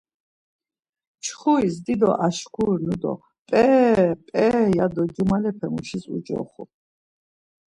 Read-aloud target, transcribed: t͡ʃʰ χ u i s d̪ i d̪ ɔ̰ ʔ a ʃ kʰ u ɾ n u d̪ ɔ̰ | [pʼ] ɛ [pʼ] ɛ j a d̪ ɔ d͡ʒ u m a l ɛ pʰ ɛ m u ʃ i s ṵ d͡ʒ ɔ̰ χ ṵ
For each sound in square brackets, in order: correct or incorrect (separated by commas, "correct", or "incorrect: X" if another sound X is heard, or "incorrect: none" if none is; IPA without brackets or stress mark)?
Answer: correct, correct